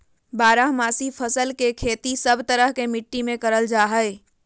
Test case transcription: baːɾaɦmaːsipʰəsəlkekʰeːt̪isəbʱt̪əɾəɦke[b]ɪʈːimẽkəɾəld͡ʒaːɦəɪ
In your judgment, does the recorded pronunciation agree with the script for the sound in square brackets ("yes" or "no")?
no